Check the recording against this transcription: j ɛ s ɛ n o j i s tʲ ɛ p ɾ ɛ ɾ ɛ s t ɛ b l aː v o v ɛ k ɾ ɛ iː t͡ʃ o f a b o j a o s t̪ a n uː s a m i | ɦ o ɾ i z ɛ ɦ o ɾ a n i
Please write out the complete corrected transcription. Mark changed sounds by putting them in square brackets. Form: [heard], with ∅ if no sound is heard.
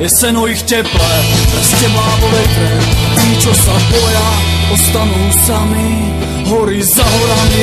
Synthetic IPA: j ɛ s ɛ n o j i [x] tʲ ɛ p [l] ɛ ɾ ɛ s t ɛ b l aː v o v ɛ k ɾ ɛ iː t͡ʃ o [s] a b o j a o s t̪ a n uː s a m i | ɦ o ɾ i z [a] ɦ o ɾ a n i